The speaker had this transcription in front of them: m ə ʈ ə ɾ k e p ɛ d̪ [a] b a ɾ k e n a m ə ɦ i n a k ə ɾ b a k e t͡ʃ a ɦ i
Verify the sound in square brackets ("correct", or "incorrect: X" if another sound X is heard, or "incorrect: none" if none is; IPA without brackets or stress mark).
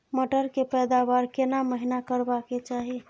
correct